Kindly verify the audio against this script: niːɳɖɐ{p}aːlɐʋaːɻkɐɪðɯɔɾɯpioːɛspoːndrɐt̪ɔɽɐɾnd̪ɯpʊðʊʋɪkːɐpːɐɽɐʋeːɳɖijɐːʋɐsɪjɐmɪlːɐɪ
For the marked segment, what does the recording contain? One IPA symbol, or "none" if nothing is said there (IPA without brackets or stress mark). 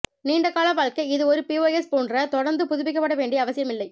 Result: k